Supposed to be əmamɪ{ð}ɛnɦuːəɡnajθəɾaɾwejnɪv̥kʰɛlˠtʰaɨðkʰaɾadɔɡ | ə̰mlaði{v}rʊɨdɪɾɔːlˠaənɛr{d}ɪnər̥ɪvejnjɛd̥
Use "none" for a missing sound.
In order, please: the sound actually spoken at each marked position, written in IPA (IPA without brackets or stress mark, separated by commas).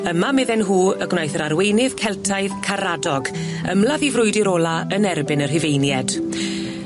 ð, v, b